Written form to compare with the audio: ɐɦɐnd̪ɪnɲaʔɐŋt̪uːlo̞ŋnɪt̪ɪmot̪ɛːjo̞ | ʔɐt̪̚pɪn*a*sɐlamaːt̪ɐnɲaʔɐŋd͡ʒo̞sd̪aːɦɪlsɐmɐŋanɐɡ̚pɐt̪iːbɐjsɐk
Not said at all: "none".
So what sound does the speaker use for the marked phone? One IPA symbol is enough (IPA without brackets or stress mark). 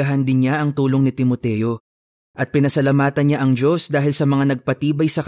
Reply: ɐ